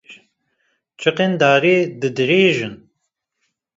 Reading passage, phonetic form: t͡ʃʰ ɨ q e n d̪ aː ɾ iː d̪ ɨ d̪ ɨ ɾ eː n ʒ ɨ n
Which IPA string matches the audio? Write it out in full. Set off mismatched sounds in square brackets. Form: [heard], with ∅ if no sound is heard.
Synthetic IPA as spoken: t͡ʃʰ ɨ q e n d̪ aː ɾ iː d̪ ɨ d̪ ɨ ɾ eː [∅] ʒ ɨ n